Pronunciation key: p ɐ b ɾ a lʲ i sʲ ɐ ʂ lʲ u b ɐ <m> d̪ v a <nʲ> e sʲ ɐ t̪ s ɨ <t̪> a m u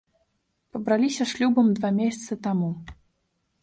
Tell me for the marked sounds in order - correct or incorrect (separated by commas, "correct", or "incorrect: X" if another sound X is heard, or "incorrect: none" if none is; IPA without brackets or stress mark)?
correct, incorrect: mʲ, correct